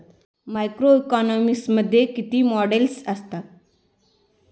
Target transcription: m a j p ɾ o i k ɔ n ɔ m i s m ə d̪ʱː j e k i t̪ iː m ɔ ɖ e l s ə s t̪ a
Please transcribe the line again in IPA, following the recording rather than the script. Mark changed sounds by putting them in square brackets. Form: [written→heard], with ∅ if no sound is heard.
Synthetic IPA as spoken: m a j [p→k] ɾ o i k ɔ n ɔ m i s m ə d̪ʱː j e k i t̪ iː m ɔ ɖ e l s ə s t̪ a